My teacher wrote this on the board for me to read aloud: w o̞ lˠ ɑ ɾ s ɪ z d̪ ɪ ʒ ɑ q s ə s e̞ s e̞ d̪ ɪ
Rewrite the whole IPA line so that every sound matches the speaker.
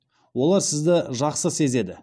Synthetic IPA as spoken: w o̞ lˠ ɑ ɾ s ɪ z d̪ ɪ ʒ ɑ q s ə s e̞ z e̞ d̪ ɪ